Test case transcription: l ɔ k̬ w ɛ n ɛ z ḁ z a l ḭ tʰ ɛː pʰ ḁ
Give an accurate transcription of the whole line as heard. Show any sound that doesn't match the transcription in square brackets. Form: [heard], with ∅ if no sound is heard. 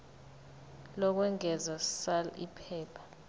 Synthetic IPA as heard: l ɔ k̬ w ɛ [ŋ] ɛ z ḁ [s] a l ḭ [pʰ] ɛː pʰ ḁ

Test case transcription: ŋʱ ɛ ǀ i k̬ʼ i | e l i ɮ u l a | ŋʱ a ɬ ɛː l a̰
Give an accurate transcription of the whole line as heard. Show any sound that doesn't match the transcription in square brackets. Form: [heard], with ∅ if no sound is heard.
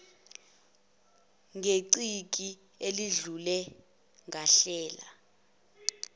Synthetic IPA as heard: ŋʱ [e] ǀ i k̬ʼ i | e l i ɮ u l [ɛ] | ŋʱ a ɬ ɛː l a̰

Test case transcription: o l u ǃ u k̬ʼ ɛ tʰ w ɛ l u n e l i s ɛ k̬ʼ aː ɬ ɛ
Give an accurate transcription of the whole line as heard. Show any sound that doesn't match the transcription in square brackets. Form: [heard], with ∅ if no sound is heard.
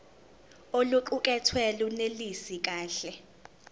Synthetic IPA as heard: o l u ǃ u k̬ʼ ɛ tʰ w ɛ l u n e l i s [i] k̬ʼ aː ɬ ɛ

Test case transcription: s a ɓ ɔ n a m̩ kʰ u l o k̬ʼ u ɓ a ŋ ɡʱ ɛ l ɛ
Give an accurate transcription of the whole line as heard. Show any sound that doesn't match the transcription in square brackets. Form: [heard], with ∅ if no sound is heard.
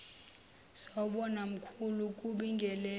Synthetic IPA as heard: s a ɓ ɔ n a m̩ kʰ u l [u] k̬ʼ u ɓ [i] ŋ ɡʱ ɛ l ɛ

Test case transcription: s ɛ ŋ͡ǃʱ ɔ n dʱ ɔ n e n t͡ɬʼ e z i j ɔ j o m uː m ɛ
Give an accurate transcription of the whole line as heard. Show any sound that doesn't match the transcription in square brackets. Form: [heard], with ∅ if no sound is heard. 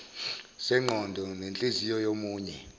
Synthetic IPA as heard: s ɛ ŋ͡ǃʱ ɔ n dʱ ɔ n e n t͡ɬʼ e z i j ɔ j o m uː [ɲ] ɛ

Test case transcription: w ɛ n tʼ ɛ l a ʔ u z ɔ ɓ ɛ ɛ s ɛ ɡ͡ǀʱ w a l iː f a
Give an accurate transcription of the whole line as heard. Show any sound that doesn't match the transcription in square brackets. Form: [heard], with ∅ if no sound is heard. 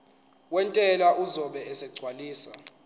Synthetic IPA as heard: w ɛ n tʼ ɛ l a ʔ u z ɔ ɓ ɛ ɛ s ɛ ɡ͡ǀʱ w a l iː [s] a

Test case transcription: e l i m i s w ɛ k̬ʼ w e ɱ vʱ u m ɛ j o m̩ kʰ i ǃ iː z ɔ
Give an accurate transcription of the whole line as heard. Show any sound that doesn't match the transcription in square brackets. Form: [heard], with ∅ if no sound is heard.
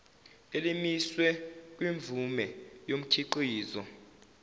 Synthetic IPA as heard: e l i m i s w ɛ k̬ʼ w [i] ɱ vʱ u m ɛ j o m̩ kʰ i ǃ iː z ɔ

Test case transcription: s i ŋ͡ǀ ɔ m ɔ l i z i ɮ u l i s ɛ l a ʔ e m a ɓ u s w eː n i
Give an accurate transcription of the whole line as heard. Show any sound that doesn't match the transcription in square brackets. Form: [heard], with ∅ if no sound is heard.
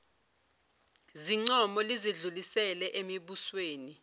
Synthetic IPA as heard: [z] i ŋ͡ǀ ɔ m ɔ l i z i ɮ u l i s ɛ l [ɛ] ʔ e m [i] ɓ u s w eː n i

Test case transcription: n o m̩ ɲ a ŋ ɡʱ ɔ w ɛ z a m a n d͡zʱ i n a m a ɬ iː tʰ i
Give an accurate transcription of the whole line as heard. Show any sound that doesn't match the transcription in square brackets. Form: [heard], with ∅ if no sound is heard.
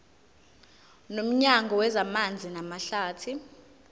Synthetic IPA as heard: n o m̩ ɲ a ŋ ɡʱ ɔ w ɛ z a m a n d͡zʱ i n a m a ɬ [aː] tʰ i

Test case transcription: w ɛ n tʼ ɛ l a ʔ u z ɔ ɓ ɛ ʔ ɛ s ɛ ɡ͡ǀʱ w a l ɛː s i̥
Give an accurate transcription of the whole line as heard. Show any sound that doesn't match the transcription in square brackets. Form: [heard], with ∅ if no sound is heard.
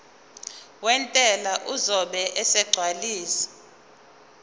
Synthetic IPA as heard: w ɛ n tʼ ɛ l a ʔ u z ɔ ɓ ɛ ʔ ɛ s ɛ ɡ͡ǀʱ w a l [iː] s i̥

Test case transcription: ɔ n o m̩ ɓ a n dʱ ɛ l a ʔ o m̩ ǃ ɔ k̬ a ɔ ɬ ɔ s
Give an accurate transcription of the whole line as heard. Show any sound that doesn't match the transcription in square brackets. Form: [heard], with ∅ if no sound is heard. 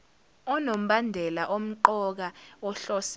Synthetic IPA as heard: ɔ n o m̩ ɓ a n dʱ ɛ l a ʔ o m̩ ǃ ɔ k̬ a ɔ ɬ ɔ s

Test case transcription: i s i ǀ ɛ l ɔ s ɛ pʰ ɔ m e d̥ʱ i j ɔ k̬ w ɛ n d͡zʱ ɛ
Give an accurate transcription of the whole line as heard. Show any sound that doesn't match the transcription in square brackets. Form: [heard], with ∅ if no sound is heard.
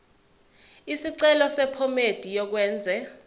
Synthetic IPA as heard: i s i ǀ ɛ l ɔ s ɛ pʰ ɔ m e d̥ʱ i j ɔ k̬ w [ɛː] n d͡zʱ ɛ

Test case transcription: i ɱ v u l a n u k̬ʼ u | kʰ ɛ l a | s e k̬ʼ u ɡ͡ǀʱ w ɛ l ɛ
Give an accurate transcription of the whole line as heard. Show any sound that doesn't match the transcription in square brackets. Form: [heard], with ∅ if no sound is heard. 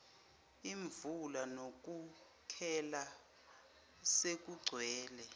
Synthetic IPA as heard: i ɱ v u l a n [o] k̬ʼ u | kʰ ɛ l a | s e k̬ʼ u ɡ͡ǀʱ w [ɛː] l ɛ

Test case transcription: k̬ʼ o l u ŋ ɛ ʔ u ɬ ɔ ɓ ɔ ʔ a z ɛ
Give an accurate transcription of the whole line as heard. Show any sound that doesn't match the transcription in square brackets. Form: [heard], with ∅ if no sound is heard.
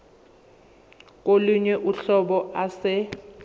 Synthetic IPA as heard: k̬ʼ o l u [ɲ] ɛ ʔ u ɬ ɔ ɓ ɔ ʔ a [s] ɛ

